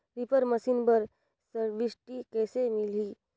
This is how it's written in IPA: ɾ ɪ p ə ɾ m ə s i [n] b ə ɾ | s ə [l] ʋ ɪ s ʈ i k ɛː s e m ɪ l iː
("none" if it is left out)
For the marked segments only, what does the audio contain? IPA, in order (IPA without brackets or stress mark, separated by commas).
n, ɾ